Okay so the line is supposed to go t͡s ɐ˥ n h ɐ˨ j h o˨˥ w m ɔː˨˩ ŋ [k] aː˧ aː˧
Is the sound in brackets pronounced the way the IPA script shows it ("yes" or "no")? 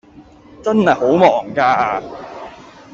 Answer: yes